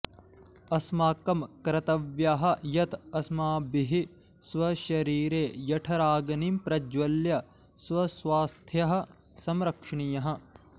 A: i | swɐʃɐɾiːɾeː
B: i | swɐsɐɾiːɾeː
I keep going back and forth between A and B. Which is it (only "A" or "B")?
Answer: A